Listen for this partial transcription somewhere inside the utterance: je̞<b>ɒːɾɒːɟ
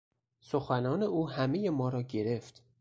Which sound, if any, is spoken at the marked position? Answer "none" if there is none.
m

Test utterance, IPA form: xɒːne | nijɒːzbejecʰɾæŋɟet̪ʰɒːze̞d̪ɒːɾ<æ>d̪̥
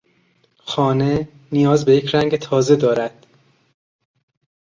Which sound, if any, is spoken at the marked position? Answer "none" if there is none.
æ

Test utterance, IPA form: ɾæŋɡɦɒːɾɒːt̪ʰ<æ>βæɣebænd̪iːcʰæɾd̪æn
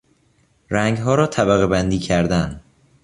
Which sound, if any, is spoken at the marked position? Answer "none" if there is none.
æ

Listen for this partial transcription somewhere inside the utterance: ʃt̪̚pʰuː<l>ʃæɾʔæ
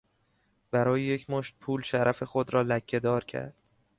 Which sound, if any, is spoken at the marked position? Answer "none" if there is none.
l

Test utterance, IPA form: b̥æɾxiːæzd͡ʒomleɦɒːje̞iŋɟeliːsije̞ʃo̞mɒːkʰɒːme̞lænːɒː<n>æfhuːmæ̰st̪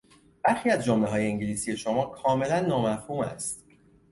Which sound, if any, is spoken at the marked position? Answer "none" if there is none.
m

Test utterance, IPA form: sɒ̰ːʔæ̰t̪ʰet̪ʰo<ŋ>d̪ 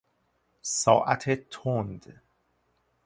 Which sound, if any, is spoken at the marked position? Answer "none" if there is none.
n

